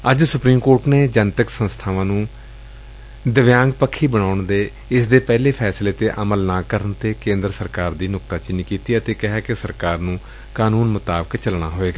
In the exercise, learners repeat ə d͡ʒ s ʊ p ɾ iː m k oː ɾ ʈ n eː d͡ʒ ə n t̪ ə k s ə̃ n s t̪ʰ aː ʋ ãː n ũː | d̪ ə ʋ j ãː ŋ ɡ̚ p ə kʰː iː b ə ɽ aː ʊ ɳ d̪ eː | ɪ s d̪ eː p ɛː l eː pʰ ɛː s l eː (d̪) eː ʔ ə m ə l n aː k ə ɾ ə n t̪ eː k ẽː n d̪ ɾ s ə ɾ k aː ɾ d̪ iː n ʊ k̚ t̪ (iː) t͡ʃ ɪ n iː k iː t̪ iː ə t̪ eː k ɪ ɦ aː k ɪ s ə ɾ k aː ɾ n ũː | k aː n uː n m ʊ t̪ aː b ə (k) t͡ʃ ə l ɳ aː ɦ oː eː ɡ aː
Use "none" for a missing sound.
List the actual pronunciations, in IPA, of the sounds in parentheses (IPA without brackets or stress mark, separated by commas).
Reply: t̪, aː, k